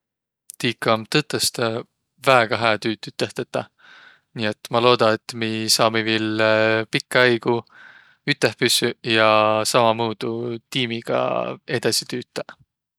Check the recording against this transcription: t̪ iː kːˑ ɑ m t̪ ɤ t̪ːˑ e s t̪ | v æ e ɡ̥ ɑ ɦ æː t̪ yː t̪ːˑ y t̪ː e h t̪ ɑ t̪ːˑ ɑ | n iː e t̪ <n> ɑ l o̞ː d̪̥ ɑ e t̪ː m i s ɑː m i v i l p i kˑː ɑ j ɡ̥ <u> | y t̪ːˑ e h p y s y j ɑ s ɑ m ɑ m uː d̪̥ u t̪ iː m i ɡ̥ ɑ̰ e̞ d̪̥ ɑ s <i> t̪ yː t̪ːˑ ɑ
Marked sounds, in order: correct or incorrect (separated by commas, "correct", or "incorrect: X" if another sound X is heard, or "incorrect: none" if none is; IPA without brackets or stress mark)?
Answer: incorrect: m, correct, correct